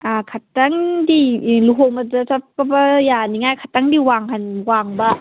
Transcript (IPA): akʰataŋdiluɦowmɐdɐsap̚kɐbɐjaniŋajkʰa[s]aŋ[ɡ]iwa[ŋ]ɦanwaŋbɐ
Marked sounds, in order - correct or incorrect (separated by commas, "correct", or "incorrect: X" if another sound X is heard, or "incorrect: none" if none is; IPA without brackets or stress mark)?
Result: incorrect: t, incorrect: d, correct